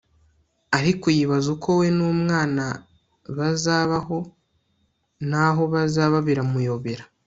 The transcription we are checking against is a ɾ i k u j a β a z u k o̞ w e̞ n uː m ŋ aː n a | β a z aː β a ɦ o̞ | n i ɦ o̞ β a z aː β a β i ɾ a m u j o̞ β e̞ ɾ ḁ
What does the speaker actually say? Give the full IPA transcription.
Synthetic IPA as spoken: a ɾ i k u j i β a z u k o̞ w e̞ n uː m ŋ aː n a | β a z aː β a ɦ o̞ | n a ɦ o̞ β a z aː β a β i ɾ a m u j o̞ β e̞ ɾ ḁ